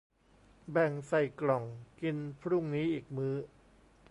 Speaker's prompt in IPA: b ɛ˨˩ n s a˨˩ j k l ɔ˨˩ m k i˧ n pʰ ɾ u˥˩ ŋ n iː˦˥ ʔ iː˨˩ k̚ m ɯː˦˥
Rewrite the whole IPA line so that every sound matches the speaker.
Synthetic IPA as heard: b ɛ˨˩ ŋ s a˨˩ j k l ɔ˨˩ ŋ k i˧ n pʰ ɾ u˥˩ ŋ n iː˦˥ ʔ iː˨˩ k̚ m ɯː˦˥